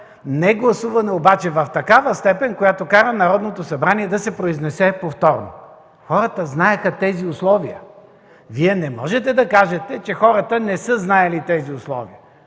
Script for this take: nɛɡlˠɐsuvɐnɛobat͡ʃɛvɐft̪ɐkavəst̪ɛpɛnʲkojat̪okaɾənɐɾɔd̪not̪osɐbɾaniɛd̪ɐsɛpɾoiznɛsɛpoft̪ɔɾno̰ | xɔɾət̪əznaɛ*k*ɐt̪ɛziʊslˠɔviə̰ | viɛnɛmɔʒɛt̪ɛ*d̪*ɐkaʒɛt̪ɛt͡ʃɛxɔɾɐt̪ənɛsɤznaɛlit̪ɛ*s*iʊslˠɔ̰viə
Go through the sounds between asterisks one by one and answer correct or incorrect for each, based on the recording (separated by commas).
incorrect, correct, incorrect